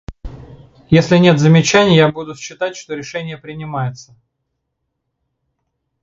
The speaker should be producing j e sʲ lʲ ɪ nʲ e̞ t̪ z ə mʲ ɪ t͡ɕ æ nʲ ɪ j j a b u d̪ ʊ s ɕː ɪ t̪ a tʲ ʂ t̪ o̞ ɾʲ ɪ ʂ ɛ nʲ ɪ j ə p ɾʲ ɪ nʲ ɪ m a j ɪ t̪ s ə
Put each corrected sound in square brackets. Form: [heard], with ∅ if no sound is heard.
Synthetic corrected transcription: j e sʲ lʲ ɪ nʲ e̞ t̪ z ə mʲ ɪ t͡ɕ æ nʲ ɪ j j a b u d̪ ʊ s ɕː ɪ t̪ a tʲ ʂ t̪ o̞ ɾʲ ɪ ʂ ɛ nʲ ɪ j ə p ɾʲ ɪ nʲ ɪ m a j ɪ t̪ s ə